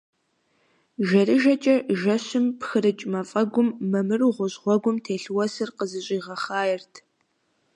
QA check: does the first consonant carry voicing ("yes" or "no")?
yes